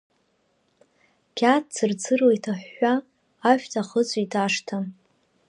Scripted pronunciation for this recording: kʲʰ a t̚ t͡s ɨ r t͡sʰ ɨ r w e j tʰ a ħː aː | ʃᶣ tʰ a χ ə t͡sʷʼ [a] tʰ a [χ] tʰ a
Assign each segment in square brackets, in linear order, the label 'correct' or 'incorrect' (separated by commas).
incorrect, incorrect